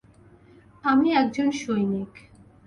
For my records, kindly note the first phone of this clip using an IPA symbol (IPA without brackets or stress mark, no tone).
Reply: a